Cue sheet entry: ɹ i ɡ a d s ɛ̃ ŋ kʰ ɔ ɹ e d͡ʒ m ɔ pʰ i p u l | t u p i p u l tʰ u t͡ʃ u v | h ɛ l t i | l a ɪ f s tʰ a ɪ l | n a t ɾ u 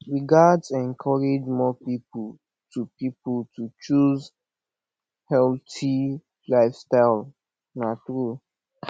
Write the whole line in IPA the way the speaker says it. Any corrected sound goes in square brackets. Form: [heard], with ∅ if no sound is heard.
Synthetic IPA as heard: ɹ i ɡ a d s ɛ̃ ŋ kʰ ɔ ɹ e d͡ʒ m ɔ [p] i p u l | t u p i p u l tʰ u t͡ʃ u [z] | h ɛ l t i | l a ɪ f s [t] a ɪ l | n a t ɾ u